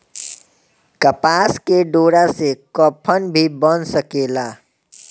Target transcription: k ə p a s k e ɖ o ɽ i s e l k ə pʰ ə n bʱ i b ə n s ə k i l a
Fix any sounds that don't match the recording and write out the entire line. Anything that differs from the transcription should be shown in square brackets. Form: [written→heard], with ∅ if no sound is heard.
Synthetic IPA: k ə p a s k e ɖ o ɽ [i→a] s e [l→∅] k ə pʰ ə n bʱ i b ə n s ə k [i→e] l a